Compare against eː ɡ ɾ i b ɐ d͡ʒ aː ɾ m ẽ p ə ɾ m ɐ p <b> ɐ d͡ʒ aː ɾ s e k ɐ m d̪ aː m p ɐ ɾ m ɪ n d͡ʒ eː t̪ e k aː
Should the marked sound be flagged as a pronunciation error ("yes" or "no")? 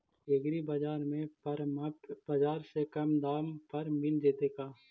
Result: no